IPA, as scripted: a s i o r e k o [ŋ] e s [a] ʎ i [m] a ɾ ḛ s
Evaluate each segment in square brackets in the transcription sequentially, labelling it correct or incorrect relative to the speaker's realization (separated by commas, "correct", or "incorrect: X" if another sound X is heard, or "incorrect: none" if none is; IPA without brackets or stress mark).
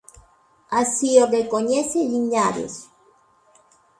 incorrect: ɲ, incorrect: e, incorrect: ɲ